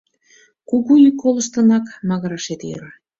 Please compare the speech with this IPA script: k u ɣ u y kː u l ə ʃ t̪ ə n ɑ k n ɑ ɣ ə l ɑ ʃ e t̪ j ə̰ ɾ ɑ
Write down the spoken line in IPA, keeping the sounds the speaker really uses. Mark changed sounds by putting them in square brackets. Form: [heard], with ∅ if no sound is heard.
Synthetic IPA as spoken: k u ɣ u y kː [o] l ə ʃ t̪ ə n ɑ k [m] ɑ ɣ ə [ɾ] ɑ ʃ e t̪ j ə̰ ɾ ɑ